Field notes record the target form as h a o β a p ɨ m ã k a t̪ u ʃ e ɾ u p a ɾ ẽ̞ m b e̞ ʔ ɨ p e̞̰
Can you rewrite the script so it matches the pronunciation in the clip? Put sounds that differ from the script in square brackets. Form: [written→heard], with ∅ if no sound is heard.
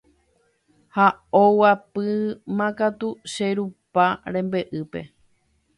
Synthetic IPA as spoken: h a o [β→w] a p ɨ m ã k a t̪ u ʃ e ɾ u p a ɾ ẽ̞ m b e̞ ʔ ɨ p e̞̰